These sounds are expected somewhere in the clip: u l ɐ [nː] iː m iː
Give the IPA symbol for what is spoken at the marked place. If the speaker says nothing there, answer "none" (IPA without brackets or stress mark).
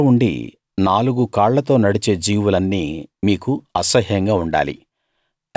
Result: nː